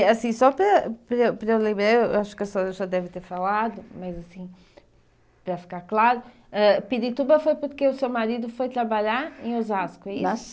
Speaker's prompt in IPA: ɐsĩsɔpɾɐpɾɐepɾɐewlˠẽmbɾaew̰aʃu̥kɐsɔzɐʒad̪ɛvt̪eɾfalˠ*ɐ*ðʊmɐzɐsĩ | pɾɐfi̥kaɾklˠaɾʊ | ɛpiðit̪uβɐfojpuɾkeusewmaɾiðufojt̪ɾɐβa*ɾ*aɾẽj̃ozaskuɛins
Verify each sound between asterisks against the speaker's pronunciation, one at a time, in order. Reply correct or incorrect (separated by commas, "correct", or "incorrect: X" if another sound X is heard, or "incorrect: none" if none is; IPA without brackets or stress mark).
incorrect: a, incorrect: ʎ